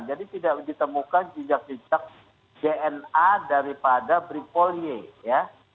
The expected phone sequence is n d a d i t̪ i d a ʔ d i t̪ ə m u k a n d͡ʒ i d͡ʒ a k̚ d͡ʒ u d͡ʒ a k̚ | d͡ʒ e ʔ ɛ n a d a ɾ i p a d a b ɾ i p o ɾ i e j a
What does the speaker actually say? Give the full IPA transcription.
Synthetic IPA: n d͡ʒ a d i t̪ i d a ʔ d i t̪ ə m u k a n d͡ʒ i d͡ʒ a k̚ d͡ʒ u d͡ʒ a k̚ | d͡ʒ e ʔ ɛ n a d a ɾ i p a d a b ɾ i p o l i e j a